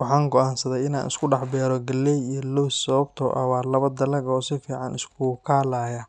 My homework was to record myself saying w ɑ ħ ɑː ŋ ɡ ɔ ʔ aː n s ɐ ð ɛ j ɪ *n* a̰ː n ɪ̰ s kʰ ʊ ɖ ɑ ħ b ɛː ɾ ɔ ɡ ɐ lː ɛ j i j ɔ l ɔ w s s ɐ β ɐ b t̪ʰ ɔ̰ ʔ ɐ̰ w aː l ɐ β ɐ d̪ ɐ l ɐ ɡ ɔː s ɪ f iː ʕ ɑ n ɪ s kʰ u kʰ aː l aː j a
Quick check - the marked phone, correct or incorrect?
correct